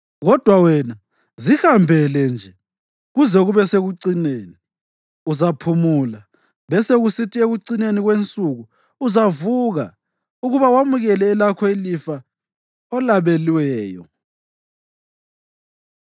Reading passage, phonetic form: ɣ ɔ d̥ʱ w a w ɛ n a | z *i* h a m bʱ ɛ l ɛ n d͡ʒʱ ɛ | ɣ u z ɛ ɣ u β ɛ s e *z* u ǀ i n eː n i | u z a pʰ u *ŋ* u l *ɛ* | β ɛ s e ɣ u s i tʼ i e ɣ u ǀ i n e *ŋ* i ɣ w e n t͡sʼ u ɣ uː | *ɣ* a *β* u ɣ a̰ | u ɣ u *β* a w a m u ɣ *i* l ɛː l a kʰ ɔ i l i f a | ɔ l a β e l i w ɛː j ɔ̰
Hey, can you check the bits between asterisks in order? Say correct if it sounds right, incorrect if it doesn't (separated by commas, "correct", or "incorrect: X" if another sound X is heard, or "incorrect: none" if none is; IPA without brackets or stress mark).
correct, incorrect: ɣ, incorrect: m, incorrect: a, incorrect: n, incorrect: z, incorrect: v, correct, incorrect: ɛ